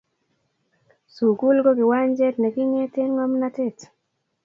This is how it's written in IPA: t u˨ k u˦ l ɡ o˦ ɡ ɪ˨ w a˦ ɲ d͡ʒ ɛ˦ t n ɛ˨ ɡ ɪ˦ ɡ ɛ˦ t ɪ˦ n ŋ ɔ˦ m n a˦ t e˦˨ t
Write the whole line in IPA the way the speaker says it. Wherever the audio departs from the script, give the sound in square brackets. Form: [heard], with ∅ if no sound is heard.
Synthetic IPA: [s] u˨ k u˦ l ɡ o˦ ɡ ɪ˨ w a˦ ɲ d͡ʒ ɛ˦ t n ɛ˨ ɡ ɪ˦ [ŋ] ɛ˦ t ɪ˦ n ŋ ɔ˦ m n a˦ t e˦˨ t